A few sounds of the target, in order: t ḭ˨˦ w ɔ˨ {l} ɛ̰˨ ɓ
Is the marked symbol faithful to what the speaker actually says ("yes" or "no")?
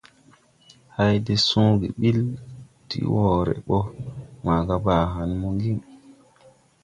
no